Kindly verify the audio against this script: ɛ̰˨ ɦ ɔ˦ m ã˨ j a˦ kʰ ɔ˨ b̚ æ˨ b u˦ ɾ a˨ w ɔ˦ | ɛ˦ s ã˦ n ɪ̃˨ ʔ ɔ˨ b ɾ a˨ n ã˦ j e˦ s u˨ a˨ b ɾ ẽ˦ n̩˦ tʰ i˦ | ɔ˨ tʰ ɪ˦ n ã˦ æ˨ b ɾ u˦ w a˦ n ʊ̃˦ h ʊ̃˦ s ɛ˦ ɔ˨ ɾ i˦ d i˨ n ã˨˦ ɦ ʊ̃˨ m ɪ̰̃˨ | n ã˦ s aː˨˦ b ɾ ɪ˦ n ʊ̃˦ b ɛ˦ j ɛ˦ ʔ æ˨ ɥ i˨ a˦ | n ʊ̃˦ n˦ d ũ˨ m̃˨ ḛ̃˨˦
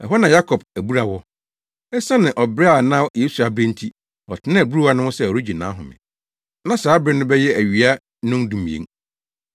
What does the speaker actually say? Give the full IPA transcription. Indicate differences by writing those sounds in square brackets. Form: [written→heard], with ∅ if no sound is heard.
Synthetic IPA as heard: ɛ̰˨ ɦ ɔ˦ [m→n] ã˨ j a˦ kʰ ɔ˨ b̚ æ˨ b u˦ ɾ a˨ w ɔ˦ | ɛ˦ s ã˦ n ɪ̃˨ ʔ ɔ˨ b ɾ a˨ n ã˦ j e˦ s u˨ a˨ b ɾ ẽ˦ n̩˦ tʰ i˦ | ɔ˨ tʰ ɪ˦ n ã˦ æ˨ b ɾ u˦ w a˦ n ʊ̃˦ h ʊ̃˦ s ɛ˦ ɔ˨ ɾ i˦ [d→d͡ʑ] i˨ n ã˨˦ ɦ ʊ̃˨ m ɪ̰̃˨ | n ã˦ s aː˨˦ b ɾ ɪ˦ n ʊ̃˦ b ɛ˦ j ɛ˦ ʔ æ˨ ɥ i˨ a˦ | n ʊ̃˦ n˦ d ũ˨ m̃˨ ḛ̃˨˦

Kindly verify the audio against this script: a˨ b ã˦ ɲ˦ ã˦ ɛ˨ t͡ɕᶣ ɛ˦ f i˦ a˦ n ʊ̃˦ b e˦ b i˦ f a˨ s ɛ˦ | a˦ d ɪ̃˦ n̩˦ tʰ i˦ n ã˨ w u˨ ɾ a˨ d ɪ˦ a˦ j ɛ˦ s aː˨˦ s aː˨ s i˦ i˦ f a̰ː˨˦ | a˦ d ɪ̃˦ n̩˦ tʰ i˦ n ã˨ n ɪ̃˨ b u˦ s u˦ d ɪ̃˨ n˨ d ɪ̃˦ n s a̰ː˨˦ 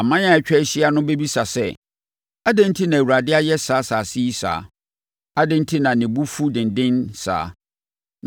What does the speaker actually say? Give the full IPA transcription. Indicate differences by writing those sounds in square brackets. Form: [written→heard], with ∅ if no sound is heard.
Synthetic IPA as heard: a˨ [b→m] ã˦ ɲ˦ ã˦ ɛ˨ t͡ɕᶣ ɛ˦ [f→ɕ] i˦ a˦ n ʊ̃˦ b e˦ b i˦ [f→s] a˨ s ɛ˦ | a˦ d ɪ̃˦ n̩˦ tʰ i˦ n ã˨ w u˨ ɾ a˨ d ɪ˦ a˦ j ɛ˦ s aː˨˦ s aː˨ s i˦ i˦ [f→s] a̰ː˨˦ | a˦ d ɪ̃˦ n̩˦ tʰ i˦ n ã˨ n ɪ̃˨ b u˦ [s→f] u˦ d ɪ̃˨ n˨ d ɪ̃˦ n s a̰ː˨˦

